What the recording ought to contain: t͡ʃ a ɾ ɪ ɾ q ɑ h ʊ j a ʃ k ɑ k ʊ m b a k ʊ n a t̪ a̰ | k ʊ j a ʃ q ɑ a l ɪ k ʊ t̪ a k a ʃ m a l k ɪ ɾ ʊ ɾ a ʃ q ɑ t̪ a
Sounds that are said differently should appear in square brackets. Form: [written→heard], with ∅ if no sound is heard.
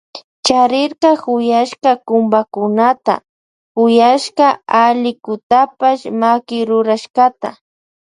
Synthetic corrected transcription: t͡ʃ a ɾ ɪ ɾ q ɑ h ʊ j a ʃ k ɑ k ʊ m b a k ʊ n a t̪ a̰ | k ʊ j a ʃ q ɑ a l ɪ k ʊ t̪ a [k→p] a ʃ m a [l→∅] k ɪ ɾ ʊ ɾ a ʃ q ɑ t̪ a

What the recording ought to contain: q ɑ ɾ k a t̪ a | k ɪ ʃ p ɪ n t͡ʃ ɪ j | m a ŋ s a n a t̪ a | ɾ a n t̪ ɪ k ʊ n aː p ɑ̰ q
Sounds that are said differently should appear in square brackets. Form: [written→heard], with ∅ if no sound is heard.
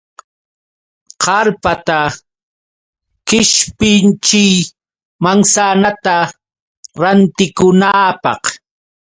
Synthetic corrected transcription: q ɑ ɾ [k→p] a t̪ a | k ɪ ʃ p ɪ n t͡ʃ ɪ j | m a ŋ s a n a t̪ a | ɾ a n t̪ ɪ k ʊ n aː p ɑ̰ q

